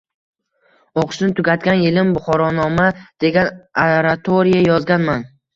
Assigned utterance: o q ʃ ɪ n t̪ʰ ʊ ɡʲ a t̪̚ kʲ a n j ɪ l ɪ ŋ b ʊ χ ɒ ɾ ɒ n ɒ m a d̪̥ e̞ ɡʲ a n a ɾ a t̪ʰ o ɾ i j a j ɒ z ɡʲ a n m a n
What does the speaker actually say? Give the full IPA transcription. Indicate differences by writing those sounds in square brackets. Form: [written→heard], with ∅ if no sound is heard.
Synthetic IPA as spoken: o q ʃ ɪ n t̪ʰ ʊ ɡʲ a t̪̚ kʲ a n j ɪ l ɪ [ŋ→m] b ʊ χ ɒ ɾ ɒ n ɒ m a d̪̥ e̞ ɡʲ a n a ɾ a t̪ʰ o ɾ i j a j ɒ z ɡʲ a n m a n